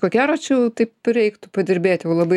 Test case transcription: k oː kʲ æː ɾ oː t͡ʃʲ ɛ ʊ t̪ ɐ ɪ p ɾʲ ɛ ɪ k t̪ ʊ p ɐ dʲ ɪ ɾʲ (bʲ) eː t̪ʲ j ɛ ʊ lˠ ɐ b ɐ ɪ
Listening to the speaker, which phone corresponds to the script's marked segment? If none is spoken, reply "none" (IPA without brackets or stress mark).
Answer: bʲ